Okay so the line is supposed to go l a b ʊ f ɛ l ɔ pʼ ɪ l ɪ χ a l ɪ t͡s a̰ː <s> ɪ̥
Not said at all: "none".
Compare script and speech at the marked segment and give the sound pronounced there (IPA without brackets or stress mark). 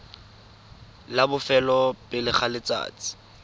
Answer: t͡s